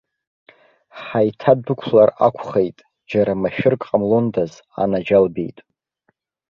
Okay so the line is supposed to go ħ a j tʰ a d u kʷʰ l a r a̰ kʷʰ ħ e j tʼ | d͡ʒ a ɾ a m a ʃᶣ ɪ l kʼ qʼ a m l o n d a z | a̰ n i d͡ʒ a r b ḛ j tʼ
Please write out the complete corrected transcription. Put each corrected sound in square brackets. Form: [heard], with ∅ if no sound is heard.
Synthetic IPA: ħ a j tʰ a d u kʷʰ l a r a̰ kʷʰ [χ] e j tʼ | d͡ʒ a ɾ a m a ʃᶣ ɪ [r] kʼ qʼ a m l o n d a z | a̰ n [a] d͡ʒ a [l] b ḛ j tʼ